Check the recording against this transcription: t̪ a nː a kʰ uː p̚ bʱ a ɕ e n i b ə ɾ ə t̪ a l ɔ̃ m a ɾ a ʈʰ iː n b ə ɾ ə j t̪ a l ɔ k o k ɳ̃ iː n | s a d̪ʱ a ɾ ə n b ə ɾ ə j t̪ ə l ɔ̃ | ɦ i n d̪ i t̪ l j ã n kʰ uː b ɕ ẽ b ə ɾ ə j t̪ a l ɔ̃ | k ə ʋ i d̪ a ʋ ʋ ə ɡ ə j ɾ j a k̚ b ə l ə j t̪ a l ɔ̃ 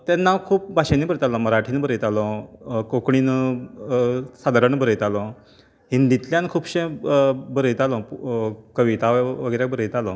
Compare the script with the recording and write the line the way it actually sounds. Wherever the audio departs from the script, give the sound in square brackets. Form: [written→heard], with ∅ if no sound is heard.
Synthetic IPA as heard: t̪ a nː a kʰ uː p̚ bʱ a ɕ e n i b ə ɾ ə t̪ a l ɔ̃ m [a→ə] ɾ a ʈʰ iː n b ə ɾ ə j t̪ a l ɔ k o k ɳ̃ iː n | s a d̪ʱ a ɾ ə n b ə ɾ ə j t̪ [ə→a] l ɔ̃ | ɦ i n d̪ i t̪ l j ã n kʰ uː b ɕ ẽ b ə ɾ ə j t̪ a l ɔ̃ | k ə ʋ i [d̪→t̪] a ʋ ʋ ə ɡ ə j ɾ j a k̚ b ə [l→ɾ] ə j t̪ a l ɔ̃